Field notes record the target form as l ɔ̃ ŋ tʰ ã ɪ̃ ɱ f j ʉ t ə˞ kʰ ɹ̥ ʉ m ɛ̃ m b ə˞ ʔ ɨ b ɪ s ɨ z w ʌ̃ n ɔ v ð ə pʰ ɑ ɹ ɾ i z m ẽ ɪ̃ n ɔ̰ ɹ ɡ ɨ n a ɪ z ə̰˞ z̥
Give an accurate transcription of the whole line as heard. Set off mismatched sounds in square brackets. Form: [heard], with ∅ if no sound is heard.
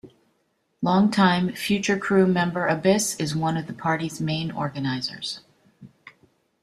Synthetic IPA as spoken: l ɔ̃ ŋ tʰ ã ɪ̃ ɱ f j ʉ [t͡ʃ] ə˞ kʰ ɹ̥ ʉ m ɛ̃ m b ə˞ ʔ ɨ b ɪ s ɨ z w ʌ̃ n [ʌ] v ð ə pʰ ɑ ɹ ɾ i z m ẽ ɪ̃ n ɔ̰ ɹ ɡ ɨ n a ɪ z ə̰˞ z̥